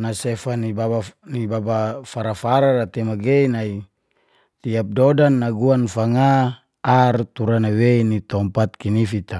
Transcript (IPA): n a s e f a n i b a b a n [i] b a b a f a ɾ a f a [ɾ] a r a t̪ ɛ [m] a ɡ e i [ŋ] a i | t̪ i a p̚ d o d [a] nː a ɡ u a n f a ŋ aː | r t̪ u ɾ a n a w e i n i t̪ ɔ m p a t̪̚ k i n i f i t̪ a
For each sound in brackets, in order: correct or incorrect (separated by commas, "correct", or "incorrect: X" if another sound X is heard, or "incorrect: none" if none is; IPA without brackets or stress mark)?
correct, correct, correct, incorrect: n, correct